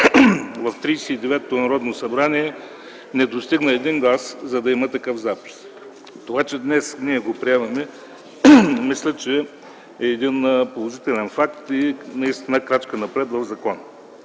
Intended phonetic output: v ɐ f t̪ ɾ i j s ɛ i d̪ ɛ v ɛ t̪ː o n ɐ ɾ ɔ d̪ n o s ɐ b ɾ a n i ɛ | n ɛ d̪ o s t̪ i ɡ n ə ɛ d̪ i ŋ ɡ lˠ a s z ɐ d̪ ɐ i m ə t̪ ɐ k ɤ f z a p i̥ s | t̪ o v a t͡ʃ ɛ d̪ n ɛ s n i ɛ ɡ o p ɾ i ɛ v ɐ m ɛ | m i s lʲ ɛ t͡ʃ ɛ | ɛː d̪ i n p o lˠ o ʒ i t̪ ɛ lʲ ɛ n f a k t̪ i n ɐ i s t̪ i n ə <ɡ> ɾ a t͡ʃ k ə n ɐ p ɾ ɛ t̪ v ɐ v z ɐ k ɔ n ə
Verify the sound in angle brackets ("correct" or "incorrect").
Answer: incorrect